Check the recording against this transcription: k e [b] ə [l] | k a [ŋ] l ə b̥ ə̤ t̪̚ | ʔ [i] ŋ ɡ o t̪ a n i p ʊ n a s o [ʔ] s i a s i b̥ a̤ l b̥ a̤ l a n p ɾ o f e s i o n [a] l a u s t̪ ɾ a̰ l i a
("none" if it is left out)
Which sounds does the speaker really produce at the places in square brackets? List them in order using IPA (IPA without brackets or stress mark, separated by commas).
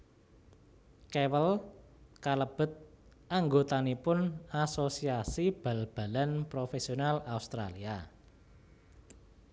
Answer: w, l, none, a, none, a